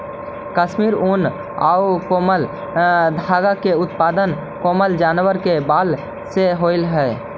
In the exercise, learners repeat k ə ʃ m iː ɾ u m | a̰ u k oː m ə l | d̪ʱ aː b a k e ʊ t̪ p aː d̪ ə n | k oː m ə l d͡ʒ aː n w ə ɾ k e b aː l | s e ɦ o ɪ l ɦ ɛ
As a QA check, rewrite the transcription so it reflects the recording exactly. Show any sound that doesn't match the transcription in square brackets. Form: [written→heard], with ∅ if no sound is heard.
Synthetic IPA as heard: k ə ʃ m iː ɾ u [m→n] | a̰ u k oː m ə l | d̪ʱ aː [b→ɡ] a k e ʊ t̪ p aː d̪ ə n | k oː m ə l d͡ʒ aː n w ə ɾ k e b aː l | s e ɦ o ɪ l ɦ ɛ